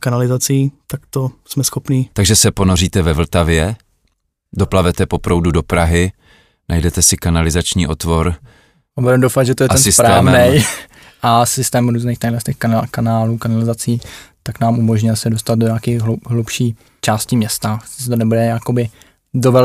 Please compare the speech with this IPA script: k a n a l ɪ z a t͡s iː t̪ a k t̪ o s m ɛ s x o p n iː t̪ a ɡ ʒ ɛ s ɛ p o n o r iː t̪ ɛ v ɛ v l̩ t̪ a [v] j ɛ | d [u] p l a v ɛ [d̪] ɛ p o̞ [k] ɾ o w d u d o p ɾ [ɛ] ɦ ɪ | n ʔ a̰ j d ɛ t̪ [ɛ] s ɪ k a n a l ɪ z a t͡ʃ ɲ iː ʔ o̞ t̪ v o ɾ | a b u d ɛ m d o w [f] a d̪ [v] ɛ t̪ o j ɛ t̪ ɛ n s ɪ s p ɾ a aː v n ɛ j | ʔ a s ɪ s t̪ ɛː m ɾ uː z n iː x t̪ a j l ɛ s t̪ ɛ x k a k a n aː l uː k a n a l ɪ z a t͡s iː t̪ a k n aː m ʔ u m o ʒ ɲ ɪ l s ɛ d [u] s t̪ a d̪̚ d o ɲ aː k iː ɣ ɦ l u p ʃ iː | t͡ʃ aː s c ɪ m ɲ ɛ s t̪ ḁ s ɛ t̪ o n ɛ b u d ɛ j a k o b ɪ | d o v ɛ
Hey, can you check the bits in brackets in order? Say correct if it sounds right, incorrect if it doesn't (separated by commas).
correct, incorrect, incorrect, incorrect, incorrect, correct, correct, incorrect, incorrect